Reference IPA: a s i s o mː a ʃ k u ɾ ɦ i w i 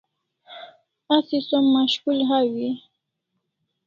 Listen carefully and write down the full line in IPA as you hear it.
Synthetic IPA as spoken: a s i s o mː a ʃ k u l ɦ a w i